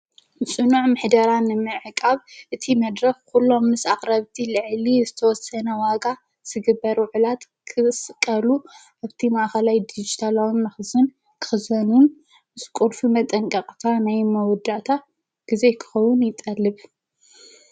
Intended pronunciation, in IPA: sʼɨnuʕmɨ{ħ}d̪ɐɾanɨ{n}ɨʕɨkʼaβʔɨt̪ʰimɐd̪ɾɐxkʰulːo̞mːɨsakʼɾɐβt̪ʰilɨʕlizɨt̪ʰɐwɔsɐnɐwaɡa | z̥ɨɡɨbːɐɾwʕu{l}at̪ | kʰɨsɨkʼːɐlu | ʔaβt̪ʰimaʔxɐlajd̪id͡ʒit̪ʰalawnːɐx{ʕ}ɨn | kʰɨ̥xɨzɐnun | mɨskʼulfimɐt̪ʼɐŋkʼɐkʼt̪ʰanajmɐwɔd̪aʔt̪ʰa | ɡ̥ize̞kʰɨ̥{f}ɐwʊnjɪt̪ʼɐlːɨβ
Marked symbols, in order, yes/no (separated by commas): yes, no, yes, no, no